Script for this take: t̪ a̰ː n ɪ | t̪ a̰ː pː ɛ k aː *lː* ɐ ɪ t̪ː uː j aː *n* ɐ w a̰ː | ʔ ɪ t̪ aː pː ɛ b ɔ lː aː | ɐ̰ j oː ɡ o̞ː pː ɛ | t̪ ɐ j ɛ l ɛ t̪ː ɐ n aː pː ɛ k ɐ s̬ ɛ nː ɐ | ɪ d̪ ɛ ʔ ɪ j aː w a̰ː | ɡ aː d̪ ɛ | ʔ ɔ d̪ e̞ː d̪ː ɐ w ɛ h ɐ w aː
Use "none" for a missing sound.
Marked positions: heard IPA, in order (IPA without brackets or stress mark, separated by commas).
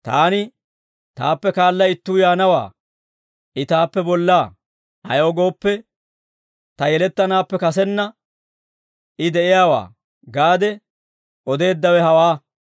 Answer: lː, n